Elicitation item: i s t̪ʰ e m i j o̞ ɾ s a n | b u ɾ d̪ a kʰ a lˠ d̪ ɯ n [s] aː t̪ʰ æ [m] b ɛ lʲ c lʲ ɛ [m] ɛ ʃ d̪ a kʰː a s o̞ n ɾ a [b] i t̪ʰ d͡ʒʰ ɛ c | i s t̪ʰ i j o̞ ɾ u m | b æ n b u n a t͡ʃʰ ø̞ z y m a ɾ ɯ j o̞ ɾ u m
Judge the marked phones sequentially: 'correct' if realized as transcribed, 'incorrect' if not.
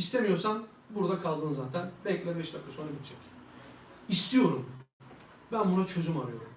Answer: incorrect: z, incorrect: n, incorrect: b, incorrect: ɟ

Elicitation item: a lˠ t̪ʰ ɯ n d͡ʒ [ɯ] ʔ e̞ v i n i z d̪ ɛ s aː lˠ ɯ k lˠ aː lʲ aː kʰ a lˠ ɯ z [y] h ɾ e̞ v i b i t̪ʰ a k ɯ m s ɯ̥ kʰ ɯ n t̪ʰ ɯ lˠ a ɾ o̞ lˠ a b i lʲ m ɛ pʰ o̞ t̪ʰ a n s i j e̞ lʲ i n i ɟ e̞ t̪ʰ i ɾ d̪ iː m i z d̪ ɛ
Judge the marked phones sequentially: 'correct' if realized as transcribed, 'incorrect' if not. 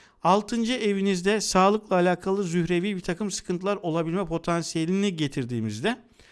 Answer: correct, correct

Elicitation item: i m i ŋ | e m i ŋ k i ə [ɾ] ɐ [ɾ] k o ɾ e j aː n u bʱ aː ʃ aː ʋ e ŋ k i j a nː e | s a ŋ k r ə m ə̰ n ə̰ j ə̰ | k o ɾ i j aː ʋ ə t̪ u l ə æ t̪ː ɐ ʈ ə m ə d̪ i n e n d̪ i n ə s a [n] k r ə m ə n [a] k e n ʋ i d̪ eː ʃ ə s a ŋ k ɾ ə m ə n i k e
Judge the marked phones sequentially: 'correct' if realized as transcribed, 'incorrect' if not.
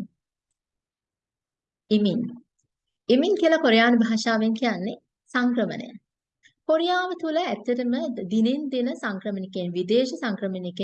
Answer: incorrect: l, incorrect: none, incorrect: ŋ, incorrect: i

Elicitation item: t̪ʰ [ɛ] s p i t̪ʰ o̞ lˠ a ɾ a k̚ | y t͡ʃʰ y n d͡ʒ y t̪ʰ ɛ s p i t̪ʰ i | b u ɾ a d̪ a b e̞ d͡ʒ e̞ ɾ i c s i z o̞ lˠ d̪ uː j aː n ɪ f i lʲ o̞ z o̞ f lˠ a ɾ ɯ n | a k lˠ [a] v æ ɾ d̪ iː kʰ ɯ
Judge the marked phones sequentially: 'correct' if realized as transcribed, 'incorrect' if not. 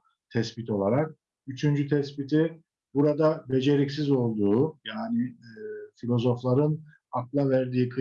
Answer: correct, correct

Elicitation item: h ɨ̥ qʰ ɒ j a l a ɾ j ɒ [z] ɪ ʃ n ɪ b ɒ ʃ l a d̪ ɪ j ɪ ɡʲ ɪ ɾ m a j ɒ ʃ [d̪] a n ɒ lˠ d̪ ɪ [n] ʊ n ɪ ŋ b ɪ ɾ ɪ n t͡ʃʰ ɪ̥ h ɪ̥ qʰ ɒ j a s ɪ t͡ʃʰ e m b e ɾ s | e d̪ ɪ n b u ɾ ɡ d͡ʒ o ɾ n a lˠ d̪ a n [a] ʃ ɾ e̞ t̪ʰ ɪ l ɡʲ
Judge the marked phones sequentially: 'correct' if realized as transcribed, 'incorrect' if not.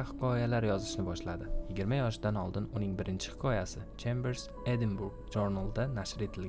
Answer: correct, correct, correct, correct

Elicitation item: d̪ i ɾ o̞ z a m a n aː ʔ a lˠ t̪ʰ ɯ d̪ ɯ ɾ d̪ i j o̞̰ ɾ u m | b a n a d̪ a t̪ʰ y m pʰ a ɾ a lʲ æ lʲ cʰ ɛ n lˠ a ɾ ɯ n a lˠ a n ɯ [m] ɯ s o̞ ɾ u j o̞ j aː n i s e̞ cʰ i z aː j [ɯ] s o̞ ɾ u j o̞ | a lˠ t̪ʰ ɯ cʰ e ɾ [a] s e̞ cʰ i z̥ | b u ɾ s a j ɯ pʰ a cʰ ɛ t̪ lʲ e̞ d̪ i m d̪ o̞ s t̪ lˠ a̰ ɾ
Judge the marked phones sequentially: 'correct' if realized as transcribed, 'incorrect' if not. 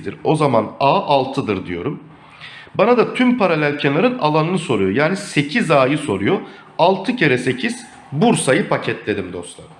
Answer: incorrect: n, correct, incorrect: ɛ

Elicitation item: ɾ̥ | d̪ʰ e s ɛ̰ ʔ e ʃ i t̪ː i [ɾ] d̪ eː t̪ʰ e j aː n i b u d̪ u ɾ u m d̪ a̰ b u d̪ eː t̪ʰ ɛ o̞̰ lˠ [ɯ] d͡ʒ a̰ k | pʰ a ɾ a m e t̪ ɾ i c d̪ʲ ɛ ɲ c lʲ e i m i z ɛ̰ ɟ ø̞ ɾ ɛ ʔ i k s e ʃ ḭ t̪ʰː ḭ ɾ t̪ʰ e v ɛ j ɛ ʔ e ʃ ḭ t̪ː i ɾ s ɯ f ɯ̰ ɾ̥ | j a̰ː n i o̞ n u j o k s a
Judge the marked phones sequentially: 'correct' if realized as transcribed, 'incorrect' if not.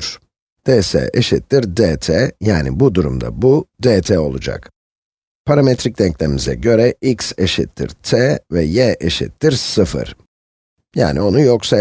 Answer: correct, incorrect: u

